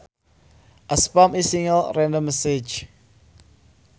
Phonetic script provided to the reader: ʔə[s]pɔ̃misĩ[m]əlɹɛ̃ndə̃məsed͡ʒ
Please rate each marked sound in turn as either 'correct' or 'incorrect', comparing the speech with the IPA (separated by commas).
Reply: correct, incorrect